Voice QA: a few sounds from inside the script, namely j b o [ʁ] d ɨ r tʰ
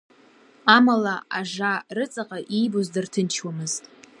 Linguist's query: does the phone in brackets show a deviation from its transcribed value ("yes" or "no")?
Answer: yes